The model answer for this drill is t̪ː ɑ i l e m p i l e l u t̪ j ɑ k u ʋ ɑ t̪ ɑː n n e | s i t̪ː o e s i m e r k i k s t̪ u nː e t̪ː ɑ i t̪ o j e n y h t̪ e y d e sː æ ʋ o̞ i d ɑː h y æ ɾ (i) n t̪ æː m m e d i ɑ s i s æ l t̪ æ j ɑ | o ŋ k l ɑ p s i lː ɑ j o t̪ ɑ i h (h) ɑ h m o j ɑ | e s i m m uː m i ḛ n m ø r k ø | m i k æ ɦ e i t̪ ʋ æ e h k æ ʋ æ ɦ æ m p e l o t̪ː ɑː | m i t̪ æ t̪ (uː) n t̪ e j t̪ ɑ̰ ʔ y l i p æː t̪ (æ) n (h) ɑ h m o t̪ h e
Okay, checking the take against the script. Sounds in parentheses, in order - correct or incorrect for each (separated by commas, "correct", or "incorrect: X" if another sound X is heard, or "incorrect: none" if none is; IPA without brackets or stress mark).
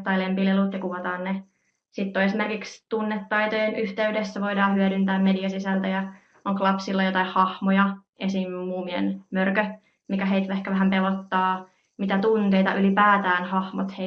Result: incorrect: y, correct, incorrect: u, incorrect: æː, correct